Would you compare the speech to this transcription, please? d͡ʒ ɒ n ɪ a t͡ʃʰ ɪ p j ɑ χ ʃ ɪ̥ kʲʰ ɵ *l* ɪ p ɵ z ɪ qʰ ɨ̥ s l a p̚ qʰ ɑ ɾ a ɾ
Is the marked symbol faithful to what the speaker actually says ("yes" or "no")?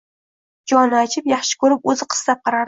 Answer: no